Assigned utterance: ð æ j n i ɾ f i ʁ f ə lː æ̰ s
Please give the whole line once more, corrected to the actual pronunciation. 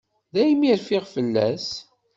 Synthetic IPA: ð æ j m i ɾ f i ʁ f ə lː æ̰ s

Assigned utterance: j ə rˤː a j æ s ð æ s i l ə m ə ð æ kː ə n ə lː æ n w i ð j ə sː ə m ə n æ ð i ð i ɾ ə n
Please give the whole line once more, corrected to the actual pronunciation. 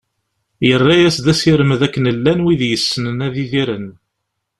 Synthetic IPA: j ə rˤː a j æ s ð æ s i ɾ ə m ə ð æ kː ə n ə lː æ n w i ð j ə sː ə n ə n æ ð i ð i ɾ ə n

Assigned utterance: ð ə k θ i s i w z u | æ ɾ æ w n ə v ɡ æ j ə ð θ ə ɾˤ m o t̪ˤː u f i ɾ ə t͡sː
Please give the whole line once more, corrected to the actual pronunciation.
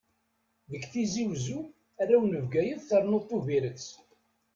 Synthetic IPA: ð ə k θ i z i w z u | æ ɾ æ w n ə v ɡ æ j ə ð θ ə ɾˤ n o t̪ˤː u v i ɾ ə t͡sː

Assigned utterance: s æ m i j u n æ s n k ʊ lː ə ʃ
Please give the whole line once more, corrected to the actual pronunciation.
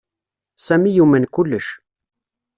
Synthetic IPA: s æ m i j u m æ n k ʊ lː ə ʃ

